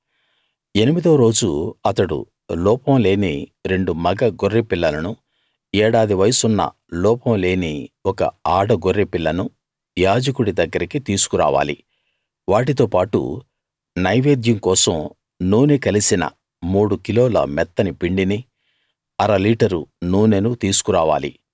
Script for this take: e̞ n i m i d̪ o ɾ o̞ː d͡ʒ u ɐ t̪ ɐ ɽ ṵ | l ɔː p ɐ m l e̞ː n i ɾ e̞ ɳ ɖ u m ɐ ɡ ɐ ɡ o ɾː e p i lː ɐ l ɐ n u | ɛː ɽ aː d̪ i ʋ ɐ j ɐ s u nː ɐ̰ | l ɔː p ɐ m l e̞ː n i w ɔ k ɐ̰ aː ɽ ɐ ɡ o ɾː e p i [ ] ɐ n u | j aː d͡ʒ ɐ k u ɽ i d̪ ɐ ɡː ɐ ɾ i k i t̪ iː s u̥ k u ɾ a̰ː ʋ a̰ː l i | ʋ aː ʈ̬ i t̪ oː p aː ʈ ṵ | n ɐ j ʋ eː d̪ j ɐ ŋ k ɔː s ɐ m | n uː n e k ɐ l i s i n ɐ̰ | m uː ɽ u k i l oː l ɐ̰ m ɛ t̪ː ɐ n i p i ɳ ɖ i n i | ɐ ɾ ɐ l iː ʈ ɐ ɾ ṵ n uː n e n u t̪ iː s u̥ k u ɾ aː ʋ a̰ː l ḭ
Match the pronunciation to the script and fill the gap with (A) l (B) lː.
B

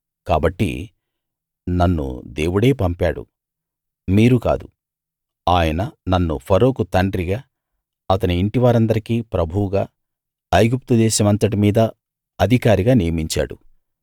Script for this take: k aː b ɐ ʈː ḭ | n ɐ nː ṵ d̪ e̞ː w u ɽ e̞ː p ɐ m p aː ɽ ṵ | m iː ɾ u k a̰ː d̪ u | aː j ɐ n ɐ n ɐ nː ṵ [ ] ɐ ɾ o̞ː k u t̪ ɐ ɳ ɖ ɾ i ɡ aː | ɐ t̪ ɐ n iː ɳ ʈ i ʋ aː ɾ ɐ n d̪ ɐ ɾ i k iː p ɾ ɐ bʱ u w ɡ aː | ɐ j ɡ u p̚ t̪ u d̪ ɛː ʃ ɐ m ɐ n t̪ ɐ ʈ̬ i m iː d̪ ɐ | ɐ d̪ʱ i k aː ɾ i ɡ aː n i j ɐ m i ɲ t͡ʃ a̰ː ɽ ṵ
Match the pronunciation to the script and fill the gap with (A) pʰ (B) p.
A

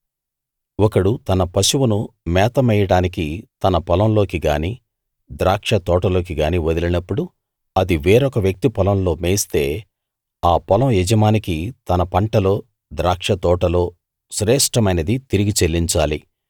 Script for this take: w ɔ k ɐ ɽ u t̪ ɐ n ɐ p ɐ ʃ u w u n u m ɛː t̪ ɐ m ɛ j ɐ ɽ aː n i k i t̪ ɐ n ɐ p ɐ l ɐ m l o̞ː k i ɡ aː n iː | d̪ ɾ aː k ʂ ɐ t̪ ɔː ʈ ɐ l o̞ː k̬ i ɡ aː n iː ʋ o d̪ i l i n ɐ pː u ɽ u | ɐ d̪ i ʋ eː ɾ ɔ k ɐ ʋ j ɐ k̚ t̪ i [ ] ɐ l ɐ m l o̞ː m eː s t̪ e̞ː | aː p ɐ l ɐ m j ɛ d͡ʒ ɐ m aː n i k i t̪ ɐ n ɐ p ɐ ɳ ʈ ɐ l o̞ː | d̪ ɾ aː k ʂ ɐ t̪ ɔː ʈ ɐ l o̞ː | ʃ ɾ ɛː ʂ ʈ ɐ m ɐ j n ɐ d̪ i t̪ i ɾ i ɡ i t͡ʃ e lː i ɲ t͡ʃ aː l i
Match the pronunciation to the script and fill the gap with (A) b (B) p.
B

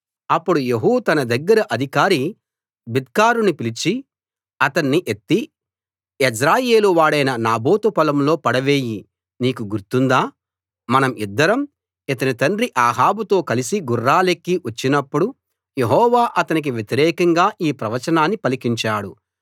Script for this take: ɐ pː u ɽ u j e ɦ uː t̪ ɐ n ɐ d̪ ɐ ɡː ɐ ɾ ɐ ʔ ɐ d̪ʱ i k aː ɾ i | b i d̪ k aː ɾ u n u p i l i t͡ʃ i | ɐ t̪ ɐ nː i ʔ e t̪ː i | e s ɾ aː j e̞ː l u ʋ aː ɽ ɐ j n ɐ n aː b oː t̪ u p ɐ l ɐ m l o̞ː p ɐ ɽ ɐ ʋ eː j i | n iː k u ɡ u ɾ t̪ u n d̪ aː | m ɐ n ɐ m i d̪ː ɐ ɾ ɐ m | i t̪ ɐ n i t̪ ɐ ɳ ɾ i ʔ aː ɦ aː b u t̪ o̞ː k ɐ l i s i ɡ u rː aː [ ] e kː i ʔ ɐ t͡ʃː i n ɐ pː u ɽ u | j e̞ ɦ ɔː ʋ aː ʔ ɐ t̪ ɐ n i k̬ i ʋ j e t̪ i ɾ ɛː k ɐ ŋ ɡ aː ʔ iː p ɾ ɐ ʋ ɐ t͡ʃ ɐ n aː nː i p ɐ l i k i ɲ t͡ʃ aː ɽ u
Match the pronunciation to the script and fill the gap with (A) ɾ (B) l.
B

